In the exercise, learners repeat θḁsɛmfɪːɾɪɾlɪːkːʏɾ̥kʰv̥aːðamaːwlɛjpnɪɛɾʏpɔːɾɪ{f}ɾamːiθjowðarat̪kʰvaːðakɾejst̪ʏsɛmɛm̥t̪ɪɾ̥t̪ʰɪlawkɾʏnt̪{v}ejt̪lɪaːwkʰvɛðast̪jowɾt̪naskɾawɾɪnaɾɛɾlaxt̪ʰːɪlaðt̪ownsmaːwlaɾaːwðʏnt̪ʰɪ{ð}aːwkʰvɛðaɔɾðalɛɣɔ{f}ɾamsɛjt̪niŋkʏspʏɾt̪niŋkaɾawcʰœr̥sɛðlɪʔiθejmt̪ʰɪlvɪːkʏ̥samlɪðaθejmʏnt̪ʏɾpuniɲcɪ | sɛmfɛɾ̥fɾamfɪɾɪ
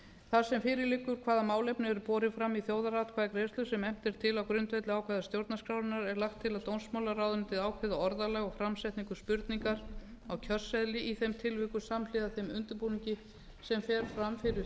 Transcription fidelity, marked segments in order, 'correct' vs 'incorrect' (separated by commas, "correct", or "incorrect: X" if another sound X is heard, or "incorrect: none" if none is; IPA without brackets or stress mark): correct, correct, correct, correct